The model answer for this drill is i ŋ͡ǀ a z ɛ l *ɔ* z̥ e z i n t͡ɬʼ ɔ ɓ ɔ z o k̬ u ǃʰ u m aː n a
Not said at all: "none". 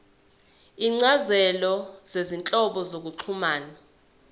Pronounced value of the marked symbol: ɔ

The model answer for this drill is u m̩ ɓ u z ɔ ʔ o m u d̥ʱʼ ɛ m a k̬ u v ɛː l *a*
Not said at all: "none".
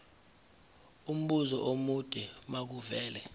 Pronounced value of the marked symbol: ɛ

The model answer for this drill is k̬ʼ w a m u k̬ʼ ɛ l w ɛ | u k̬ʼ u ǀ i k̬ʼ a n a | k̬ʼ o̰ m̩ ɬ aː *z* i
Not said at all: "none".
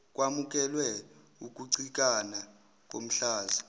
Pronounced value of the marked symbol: z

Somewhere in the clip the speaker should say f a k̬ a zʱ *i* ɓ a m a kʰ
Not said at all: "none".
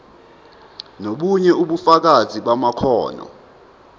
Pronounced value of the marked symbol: i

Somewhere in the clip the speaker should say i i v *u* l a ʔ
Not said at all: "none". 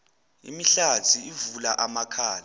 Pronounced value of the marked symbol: u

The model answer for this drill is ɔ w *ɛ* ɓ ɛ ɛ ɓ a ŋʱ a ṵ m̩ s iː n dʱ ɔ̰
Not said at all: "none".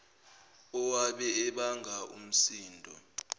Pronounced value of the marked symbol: a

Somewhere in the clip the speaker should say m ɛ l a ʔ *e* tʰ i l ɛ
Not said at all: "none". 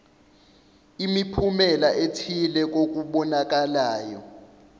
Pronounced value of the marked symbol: e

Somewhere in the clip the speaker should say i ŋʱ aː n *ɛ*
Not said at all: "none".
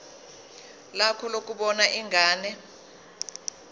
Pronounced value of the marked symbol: ɛ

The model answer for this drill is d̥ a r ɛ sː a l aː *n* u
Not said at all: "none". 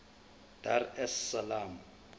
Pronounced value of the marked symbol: m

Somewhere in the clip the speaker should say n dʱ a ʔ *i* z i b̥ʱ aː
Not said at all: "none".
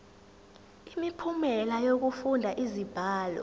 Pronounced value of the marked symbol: i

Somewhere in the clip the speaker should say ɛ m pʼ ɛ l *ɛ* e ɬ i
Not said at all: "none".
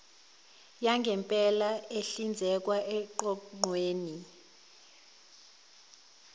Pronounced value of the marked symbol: a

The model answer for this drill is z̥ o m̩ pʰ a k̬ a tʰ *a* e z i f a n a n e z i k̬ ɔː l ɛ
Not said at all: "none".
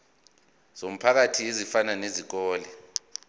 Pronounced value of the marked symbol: i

